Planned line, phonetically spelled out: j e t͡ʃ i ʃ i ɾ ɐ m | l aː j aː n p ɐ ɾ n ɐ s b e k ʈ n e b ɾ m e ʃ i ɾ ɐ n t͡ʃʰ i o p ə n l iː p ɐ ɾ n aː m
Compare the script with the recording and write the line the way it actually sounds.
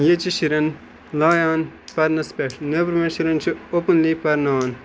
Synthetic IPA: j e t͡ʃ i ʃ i ɾ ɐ n | l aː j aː n p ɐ ɾ n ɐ s p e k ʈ n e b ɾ m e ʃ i ɾ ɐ n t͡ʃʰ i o p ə n l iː p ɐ ɾ n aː n